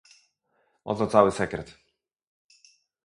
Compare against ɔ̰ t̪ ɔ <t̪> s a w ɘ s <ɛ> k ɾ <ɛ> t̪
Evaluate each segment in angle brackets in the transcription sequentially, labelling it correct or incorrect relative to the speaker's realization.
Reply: correct, correct, correct

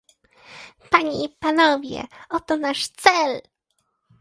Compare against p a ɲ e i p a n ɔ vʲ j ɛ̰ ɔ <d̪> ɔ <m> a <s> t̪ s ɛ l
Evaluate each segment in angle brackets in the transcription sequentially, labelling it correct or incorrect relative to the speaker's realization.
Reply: incorrect, incorrect, incorrect

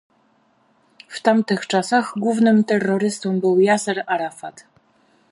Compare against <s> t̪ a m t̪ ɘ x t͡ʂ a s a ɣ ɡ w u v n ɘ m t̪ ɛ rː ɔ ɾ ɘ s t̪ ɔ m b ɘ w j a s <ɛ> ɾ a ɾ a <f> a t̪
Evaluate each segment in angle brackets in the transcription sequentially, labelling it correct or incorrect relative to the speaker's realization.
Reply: incorrect, correct, correct

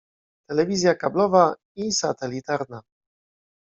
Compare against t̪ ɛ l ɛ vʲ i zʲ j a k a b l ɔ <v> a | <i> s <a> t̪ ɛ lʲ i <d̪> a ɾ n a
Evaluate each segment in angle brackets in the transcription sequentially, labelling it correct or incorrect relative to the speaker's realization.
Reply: correct, correct, correct, incorrect

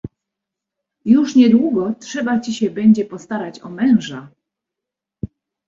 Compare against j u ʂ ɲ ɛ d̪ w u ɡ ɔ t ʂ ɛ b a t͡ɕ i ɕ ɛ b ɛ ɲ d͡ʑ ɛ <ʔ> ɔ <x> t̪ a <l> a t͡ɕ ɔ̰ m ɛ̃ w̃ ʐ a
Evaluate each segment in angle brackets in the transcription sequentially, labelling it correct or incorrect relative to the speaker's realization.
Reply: incorrect, incorrect, incorrect

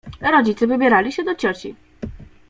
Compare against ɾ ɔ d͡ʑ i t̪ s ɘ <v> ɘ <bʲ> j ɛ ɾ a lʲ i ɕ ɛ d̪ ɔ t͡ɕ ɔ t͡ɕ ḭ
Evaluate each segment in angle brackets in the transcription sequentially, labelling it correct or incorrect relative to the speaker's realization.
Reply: correct, correct

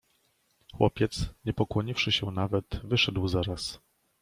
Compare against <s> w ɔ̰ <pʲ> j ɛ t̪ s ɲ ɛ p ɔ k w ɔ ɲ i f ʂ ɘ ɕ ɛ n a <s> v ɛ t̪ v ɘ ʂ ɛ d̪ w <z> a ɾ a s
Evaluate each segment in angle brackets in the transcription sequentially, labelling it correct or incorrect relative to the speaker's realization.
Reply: incorrect, correct, incorrect, correct

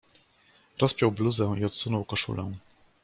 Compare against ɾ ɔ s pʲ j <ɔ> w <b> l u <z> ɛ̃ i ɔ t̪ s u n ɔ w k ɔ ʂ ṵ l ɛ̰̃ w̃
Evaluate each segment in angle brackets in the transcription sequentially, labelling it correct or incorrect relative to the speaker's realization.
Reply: correct, correct, correct

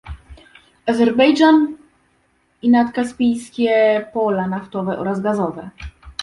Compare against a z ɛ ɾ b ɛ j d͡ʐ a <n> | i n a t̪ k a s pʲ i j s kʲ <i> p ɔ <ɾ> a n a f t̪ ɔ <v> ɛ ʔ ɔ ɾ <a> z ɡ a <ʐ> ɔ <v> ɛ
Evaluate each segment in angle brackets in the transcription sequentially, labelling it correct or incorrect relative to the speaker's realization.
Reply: correct, incorrect, incorrect, correct, correct, incorrect, correct

